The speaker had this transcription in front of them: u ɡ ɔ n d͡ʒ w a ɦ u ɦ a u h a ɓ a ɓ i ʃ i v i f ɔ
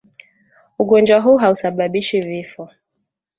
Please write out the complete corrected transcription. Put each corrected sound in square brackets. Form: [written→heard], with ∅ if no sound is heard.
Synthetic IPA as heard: u ɡ ɔ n d͡ʒ w a ɦ u ɦ a u [h→s] a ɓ a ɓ i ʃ i v i f ɔ